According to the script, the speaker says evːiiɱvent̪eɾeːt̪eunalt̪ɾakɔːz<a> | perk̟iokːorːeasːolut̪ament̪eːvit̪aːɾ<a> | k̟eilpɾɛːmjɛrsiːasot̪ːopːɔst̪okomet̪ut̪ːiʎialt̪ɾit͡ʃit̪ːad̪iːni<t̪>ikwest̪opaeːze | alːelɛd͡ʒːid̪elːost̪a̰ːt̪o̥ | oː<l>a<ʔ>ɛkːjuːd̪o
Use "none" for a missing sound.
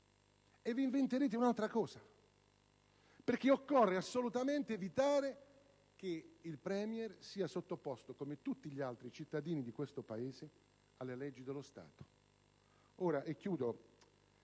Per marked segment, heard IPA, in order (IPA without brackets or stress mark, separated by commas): a, e, d̪, ɾ, ʔ